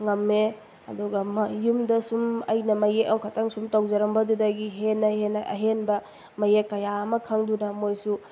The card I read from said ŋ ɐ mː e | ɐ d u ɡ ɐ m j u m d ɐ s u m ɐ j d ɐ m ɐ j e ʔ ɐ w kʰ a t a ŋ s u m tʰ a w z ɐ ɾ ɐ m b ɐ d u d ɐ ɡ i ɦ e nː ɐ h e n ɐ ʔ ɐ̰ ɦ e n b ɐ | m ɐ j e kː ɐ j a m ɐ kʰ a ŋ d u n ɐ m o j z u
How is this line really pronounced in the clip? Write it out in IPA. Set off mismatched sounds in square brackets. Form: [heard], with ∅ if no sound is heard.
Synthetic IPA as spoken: ŋ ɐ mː e | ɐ d u ɡ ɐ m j u m d ɐ s u m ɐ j [n] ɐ m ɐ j e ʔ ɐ w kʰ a t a ŋ s u m [t] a w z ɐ ɾ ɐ m b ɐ d u d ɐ ɡ i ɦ e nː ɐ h e n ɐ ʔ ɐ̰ ɦ e n b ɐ | m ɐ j e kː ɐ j a m ɐ kʰ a ŋ d u n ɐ m o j [s] u

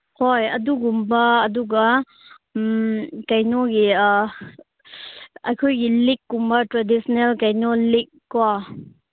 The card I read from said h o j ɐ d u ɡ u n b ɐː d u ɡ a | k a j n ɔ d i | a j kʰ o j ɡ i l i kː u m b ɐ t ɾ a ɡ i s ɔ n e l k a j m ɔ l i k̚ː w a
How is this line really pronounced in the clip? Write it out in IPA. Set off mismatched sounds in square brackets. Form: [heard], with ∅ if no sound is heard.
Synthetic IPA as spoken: h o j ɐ d u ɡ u [m] b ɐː d u ɡ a | k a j n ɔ [ɡ] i | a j kʰ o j ɡ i l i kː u m b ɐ t ɾ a [d] i s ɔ n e l k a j [n] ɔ l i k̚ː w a

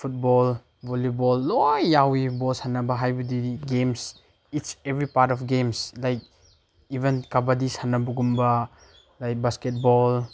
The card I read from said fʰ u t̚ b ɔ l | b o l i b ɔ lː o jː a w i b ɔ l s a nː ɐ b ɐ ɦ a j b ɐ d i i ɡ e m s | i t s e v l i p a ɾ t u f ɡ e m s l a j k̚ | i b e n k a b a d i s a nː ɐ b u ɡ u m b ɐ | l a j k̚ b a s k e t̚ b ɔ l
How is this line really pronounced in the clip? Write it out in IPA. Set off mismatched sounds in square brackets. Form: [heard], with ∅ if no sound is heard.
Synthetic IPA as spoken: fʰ u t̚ b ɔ l | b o l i b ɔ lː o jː a w i b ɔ l s a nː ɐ b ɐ ɦ a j b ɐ d i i ɡ e m s | i t s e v [ɾ] i p a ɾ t [ɔ] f ɡ e m s l a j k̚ | i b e n k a b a d i s a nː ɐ b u ɡ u m b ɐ | l a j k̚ b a s k e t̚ b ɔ l

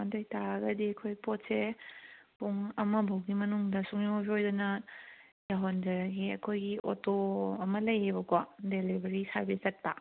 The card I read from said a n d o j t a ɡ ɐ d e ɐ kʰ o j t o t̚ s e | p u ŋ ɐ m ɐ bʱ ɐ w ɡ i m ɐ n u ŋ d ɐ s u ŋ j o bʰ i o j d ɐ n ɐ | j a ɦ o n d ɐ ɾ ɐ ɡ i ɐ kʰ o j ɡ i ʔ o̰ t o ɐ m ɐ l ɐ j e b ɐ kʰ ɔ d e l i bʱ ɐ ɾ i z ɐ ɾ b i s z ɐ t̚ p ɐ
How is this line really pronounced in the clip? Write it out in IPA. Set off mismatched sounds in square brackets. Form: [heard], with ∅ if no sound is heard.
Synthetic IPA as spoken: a n d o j t a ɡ ɐ d [i] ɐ kʰ o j [p] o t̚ s e | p u ŋ ɐ m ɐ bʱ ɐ w ɡ i m ɐ n u ŋ d ɐ s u ŋ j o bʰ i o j d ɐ n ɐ | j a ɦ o n d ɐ ɾ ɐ ɡ i ɐ kʰ o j ɡ i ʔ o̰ t o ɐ m ɐ l ɐ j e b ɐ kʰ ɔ d e l i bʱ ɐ ɾ i [s] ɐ ɾ b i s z ɐ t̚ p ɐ

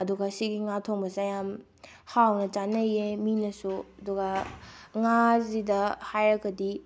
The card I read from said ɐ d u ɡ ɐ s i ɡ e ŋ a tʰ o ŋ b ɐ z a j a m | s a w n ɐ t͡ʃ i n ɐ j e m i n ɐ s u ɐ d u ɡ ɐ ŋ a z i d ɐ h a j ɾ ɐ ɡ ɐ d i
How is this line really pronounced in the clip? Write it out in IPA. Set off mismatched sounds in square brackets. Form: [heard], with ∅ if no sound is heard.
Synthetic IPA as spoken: ɐ d u ɡ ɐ s i ɡ [i] ŋ a tʰ o ŋ b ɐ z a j a m | [h] a w n ɐ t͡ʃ [a] n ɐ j e m i n ɐ s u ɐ d u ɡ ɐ ŋ a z i d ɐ h a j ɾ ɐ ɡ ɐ d i

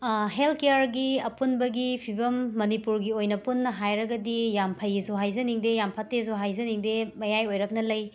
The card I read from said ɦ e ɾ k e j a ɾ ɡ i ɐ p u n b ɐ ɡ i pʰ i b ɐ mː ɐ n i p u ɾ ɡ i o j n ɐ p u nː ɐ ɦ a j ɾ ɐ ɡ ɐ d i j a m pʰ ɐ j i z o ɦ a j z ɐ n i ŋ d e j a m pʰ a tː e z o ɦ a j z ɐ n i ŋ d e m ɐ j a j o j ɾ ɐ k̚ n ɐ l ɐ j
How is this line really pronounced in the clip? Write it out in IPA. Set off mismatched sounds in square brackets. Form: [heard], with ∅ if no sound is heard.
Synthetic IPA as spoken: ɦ e [l] k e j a ɾ ɡ i ɐ p u n b ɐ ɡ i pʰ i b ɐ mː ɐ n i p u ɾ ɡ i o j n ɐ p u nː ɐ ɦ a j ɾ ɐ ɡ ɐ d i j a m pʰ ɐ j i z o ɦ a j z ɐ n i ŋ d e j a m pʰ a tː e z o ɦ a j z ɐ n i ŋ d e m ɐ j a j o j ɾ ɐ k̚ n ɐ l ɐ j

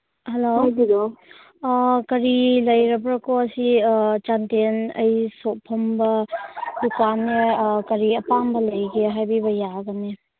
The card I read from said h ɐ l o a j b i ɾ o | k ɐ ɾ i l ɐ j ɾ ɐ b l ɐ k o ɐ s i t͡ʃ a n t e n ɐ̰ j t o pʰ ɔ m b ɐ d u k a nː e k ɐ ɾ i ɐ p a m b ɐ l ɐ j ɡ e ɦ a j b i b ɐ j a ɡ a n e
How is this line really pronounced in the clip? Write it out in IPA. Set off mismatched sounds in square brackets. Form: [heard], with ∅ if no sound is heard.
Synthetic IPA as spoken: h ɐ l o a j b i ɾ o | k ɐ ɾ i l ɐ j ɾ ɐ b [ɾ] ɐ k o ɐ s i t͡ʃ a n t e n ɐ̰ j [s] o pʰ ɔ m b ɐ d u k a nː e k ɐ ɾ i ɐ p a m b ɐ l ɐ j ɡ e ɦ a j b i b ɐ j a ɡ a n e

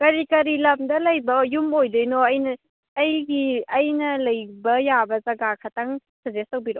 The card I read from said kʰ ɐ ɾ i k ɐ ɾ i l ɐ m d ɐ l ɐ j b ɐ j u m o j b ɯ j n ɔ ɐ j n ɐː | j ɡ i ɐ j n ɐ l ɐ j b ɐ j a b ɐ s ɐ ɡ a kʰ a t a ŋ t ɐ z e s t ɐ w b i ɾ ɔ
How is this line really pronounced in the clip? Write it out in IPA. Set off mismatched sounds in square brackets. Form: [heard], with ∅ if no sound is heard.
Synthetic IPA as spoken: [k] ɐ ɾ i k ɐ ɾ i l ɐ m d ɐ l ɐ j b ɐ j u m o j [d] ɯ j n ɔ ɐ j n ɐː | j ɡ i ɐ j n ɐ l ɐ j b ɐ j a b ɐ [z] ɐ ɡ a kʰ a t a ŋ [s] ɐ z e s t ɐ w b i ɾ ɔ

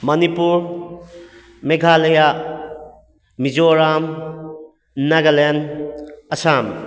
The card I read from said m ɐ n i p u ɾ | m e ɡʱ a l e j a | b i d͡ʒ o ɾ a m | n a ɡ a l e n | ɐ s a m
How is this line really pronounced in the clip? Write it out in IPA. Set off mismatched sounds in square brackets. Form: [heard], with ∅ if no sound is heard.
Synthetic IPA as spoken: m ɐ n i p u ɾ | m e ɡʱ a l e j a | [m] i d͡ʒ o ɾ a m | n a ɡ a l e n | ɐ s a m

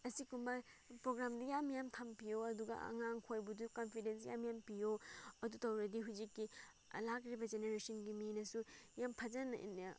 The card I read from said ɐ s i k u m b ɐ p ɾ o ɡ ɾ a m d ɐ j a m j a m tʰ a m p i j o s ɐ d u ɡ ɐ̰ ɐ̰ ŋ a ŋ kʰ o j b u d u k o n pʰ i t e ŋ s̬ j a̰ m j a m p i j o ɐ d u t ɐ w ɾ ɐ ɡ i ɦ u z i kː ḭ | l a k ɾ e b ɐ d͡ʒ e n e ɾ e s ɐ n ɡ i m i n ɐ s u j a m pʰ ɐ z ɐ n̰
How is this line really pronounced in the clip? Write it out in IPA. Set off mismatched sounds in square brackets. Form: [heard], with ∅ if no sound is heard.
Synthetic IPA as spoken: ɐ s i k u m b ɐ p ɾ o ɡ ɾ a m d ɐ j a m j a m tʰ a m p i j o [∅] ɐ d u ɡ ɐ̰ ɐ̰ ŋ a ŋ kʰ o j b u d u k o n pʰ i [d] e [n] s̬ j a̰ m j a m p i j o ɐ d u t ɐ w ɾ ɐ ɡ i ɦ u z i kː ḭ | l a k ɾ [i] b ɐ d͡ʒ e n e ɾ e s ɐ n ɡ i m i n ɐ s u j a m pʰ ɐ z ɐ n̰

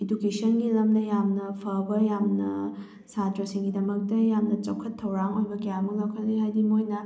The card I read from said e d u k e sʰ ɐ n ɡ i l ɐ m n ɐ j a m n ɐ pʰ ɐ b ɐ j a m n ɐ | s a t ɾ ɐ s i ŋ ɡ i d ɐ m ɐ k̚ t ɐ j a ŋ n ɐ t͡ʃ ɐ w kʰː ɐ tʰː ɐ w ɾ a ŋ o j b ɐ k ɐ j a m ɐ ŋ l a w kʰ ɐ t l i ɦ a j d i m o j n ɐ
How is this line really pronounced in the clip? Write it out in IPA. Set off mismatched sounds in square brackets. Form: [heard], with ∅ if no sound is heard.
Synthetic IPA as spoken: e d u k e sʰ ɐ n ɡ i l ɐ m n ɐ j a m n ɐ pʰ ɐ b ɐ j a m n ɐ | s a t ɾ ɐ s i ŋ ɡ i d ɐ m ɐ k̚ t ɐ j a [m] n ɐ t͡ʃ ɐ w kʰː ɐ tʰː ɐ w ɾ a ŋ o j b ɐ k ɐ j a m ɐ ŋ l a w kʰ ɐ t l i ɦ a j d i m o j n ɐ

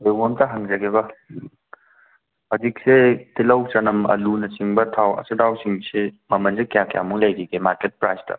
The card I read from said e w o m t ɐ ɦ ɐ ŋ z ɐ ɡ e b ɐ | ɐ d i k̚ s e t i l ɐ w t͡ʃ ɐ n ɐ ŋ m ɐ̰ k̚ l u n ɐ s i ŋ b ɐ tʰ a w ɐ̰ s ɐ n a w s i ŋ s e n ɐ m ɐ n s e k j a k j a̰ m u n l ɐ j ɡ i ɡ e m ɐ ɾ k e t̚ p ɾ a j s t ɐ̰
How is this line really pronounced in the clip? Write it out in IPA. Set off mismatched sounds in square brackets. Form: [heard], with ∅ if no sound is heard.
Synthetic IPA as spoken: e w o m t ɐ ɦ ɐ ŋ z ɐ ɡ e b ɐ | ɐ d i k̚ s e t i l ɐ w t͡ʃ ɐ n ɐ [∅] m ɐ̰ [∅] l u n ɐ s i ŋ b ɐ tʰ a w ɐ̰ s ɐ [d] a w s i ŋ s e [m] ɐ m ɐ n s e k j a k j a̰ m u [ŋ] l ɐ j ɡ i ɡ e m [a] ɾ k e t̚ p ɾ a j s t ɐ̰

